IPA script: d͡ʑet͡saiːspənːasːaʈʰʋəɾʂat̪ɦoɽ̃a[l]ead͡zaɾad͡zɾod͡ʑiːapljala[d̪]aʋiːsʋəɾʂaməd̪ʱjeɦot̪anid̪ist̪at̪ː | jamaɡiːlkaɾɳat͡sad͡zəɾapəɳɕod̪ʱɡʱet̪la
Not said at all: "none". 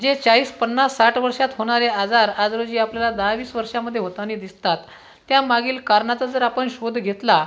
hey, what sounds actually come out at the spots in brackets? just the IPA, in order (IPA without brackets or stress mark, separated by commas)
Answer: ɾ, d̪